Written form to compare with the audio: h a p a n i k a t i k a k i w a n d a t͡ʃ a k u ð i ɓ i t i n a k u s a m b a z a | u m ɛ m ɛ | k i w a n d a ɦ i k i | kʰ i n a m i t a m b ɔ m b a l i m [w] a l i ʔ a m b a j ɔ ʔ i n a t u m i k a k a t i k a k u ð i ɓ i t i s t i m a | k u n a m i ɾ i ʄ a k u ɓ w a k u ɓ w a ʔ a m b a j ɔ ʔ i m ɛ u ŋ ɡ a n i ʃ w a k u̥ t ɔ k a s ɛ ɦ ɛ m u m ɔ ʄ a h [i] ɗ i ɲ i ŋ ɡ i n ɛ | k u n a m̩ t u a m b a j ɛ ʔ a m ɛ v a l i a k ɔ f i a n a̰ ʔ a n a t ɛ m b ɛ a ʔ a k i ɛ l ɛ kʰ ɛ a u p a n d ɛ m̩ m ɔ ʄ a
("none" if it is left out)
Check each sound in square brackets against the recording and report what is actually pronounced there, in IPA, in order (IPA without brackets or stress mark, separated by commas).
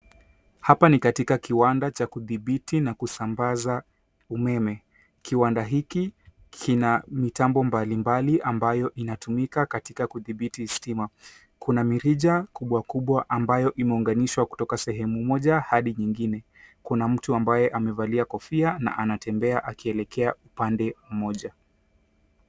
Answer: b, a